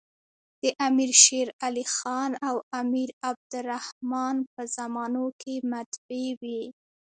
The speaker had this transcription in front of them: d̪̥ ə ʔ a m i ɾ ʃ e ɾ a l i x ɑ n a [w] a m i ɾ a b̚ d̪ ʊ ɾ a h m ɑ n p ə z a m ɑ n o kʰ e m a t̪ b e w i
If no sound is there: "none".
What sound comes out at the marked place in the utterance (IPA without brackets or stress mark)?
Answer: w